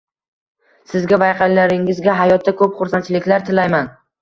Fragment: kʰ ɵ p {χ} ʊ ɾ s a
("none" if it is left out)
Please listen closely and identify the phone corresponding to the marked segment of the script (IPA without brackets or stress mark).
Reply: χ